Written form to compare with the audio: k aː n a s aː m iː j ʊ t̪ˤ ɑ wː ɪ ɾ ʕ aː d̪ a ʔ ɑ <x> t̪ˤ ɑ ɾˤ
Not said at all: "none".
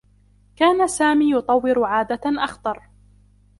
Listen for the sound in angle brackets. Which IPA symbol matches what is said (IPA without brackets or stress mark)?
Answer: x